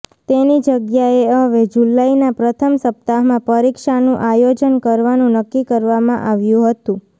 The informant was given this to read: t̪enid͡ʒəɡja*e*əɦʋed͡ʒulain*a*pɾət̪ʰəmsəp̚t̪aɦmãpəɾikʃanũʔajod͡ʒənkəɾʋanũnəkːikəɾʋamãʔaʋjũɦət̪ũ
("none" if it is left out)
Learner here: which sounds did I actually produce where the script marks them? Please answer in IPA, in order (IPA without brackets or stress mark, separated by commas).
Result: e, a